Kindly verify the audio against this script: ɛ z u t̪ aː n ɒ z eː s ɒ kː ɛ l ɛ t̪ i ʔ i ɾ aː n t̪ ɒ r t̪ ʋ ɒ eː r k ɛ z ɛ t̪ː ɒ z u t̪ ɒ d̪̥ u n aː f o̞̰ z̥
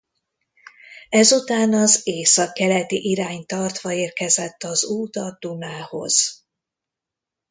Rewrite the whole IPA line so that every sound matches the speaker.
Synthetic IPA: ɛ z u t̪ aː n ɒ z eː s ɒ kː ɛ l ɛ t̪ i ʔ i ɾ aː ɲ t̪ ɒ r t̪ ʋ ɒ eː r k ɛ z ɛ t̪ː ɒ z uː t̪ ɒ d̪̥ u n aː h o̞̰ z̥

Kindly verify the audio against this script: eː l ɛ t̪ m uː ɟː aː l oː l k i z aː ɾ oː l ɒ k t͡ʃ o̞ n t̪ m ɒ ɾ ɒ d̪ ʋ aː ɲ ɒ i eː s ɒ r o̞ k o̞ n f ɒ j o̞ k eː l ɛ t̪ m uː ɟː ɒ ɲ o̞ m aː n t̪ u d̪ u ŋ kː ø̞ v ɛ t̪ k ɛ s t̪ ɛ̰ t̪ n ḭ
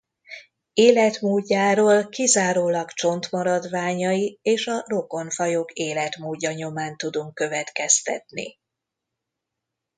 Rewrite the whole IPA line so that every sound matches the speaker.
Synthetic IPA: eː l ɛ t̪ m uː ɟː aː ɾ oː l k i z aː ɾ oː l ɒ k t͡ʃ o̞ n t̪ m ɒ ɾ ɒ d̪ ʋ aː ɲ ɒ i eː ʃ ɒ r o̞ k o̞ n f ɒ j o̞ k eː l ɛ t̪ m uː ɟː ɒ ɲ o̞ m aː n t̪ u d̪ u ŋ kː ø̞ v ɛ t̪ k ɛ s t̪ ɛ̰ t̪ n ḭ

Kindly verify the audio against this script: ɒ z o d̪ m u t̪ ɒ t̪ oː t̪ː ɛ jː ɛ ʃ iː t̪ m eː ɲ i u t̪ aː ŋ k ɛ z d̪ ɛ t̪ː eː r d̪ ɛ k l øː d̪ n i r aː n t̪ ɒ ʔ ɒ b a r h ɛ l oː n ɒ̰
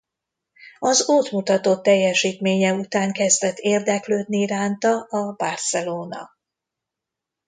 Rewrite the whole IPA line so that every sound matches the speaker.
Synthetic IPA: ɒ z o t̪ m u t̪ ɒ t̪ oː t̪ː ɛ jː ɛ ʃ iː t̪ m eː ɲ ɛ u t̪ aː ŋ k ɛ z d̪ ɛ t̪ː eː r d̪ ɛ k l øː d̪ n i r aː n t̪ ɒ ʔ ɒ b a r s ɛ l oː n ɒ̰

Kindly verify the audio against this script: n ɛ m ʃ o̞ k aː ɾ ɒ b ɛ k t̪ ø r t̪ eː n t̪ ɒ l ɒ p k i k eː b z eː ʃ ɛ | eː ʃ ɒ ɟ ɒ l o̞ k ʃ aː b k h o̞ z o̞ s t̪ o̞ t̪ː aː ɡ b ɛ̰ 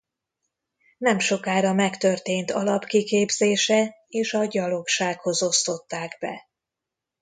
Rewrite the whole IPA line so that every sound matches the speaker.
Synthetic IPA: n ɛ m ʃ o̞ k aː ɾ ɒ m ɛ k t̪ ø r t̪ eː n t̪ ɒ l ɒ p k i k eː b z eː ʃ ɛ | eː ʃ ɒ ɟ ɒ l o̞ k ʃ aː k h o̞ z o̞ s t̪ o̞ t̪ː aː ɡ b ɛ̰

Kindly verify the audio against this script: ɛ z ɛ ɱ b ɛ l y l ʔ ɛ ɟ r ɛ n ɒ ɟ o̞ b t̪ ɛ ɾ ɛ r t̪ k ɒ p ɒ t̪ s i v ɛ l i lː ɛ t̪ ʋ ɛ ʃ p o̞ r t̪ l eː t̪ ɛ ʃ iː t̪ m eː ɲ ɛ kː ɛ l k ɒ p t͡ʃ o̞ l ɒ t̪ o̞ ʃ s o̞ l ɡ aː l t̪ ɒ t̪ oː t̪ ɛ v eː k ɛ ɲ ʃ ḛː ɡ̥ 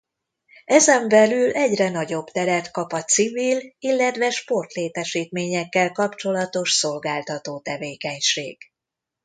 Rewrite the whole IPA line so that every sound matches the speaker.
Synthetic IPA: ɛ z ɛ ɱ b ɛ l y l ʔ ɛ ɟ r ɛ n ɒ ɟ o̞ b t̪ ɛ ɾ ɛ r t̪ k ɒ p ɒ t̪ s i v i l i lː ɛ t̪ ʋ ɛ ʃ p o̞ r t̪ l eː t̪ ɛ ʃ iː t̪ m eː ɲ ɛ kː ɛ l k ɒ p t͡ʃ o̞ l ɒ t̪ o̞ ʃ s o̞ l ɡ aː l t̪ ɒ t̪ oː t̪ ɛ v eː k ɛ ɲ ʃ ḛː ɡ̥

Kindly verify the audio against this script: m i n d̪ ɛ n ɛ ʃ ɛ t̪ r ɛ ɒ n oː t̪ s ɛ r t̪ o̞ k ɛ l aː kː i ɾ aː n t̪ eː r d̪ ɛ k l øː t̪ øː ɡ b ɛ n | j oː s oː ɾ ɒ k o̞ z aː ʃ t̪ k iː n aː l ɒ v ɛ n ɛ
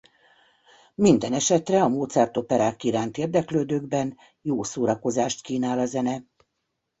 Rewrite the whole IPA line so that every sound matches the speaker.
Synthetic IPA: m i n d̪ ɛ n ɛ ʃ ɛ t̪ r ɛ ɒ m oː t̪ s ɛ r t̪ o̞ p ɛ ɾ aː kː i ɾ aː n t̪ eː r d̪ ɛ k l øː d̪ øː ɡ b ɛ n | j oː s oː ɾ ɒ k o̞ z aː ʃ t̪ k iː n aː l ɒ z ɛ n ɛ

